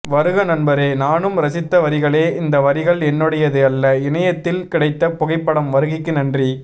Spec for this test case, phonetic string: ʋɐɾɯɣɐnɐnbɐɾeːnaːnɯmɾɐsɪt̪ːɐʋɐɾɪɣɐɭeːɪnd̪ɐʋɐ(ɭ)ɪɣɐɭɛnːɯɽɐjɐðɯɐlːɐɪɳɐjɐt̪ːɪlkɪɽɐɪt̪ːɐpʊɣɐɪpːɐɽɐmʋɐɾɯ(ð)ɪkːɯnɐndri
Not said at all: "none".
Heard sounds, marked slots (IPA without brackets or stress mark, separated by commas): ɾ, ɣ